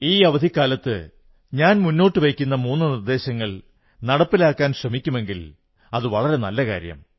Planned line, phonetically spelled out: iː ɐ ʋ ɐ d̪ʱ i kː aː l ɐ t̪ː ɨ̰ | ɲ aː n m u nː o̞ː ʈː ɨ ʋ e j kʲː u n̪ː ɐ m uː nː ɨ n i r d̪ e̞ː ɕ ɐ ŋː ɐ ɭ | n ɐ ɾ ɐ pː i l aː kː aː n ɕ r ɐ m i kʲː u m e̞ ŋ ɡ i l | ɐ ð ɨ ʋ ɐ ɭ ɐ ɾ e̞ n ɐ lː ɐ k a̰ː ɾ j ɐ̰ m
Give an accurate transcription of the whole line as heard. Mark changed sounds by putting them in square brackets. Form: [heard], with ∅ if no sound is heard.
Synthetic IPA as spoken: iː ɐ ʋ ɐ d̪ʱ i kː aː l ɐ t̪ː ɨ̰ | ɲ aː n m u nː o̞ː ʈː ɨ ʋ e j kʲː u n̪ː ɐ m uː nː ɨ n i r d̪ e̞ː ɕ ɐ ŋː ɐ ɭ | n ɐ [ɽ] ɐ pː i l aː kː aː n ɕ r ɐ m i kʲː u m e̞ ŋ ɡ i l | ɐ ð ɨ ʋ ɐ ɭ ɐ ɾ e̞ n ɐ lː ɐ k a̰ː ɾ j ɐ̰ m

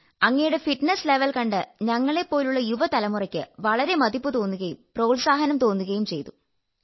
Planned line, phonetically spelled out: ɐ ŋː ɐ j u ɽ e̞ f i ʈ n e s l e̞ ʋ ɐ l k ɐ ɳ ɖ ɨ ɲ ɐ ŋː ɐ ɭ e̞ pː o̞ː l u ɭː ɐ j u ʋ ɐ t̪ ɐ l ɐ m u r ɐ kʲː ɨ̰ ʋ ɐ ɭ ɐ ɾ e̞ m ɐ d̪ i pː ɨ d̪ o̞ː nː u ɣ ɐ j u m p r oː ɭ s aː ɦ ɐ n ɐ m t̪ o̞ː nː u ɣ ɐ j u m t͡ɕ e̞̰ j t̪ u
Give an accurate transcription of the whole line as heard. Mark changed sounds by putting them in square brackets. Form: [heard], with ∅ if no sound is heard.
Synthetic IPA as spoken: ɐ ŋː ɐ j u ɽ e̞ f i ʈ n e s l e̞ ʋ ɐ l k ɐ ɳ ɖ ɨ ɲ ɐ ŋː ɐ ɭ e̞ pː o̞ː l u ɭː ɐ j u ʋ ɐ t̪ ɐ l ɐ m u r ɐ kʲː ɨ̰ ʋ ɐ ɭ ɐ ɾ e̞ m ɐ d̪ i pː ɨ [t̪] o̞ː nː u ɣ ɐ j u m p r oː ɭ s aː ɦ ɐ n ɐ m t̪ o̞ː nː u ɣ ɐ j u m t͡ɕ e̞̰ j t̪ u

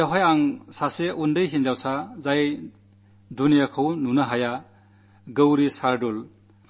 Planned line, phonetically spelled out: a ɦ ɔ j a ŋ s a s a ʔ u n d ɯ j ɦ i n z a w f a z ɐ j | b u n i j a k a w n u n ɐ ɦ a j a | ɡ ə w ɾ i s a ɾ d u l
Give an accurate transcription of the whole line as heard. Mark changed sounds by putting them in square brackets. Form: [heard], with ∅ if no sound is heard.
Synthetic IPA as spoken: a ɦ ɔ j a ŋ s a s [e] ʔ u n d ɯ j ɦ i n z a w [s] a z [a] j | [d] u n i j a [kʰ] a w n u n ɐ ɦ a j a | ɡ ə w ɾ i s a ɾ d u l

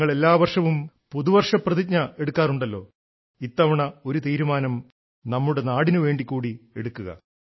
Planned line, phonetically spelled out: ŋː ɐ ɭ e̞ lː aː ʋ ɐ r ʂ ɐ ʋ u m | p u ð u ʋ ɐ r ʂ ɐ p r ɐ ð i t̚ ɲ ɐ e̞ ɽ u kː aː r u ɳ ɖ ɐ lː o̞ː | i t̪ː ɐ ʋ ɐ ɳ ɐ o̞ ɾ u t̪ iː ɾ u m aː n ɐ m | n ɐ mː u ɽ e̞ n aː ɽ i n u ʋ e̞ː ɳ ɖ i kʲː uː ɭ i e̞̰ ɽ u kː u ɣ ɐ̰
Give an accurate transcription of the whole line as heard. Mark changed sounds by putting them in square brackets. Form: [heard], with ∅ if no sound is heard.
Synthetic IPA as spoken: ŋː ɐ ɭ e̞ lː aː ʋ ɐ r ʂ ɐ ʋ u m | p u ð u ʋ ɐ r ʂ ɐ p r ɐ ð i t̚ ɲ ɐ e̞ ɽ u kː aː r u ɳ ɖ ɐ lː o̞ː | i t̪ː ɐ ʋ ɐ ɳ ɐ o̞ ɾ u t̪ iː ɾ u m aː n ɐ m | n ɐ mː u ɽ e̞ n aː ɽ i n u ʋ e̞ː ɳ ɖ i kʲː uː [ɽ] i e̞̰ ɽ u kː u ɣ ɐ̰

